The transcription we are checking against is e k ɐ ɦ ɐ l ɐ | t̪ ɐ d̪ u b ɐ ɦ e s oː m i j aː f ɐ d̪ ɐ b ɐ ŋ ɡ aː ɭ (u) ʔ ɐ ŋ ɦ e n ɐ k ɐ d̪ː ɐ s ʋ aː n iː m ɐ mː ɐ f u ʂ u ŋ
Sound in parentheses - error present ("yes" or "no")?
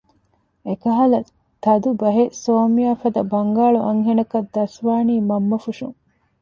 no